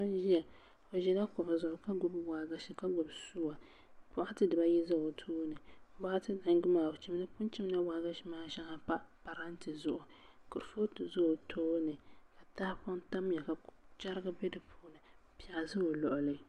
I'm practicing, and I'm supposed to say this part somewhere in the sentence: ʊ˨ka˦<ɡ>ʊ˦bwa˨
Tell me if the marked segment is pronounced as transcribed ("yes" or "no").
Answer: yes